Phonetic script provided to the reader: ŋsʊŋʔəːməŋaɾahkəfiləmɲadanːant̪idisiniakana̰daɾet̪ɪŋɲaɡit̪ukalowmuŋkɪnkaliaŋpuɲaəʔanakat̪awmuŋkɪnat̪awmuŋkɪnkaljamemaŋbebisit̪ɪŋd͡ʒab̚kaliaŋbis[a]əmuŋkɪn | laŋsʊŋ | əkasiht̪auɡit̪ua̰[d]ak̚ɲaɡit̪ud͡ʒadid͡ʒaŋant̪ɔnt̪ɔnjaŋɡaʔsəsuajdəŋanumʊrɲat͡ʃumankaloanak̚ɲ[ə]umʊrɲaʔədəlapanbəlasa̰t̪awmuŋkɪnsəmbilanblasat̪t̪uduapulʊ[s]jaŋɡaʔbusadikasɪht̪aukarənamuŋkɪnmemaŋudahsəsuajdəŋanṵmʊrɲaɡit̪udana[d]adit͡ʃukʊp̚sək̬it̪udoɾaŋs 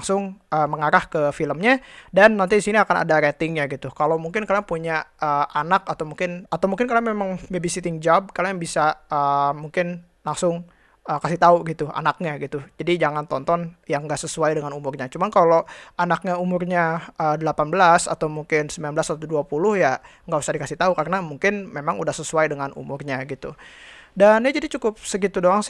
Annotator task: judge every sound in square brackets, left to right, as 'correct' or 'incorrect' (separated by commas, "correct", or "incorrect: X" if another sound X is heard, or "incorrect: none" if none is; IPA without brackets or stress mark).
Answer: correct, incorrect: n, incorrect: a, incorrect: h, incorrect: d͡ʒ